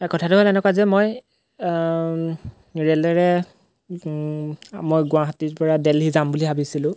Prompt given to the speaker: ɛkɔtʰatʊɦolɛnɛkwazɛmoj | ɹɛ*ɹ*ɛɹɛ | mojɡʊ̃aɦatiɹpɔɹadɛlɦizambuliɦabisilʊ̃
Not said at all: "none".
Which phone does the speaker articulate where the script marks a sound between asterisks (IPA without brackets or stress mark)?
l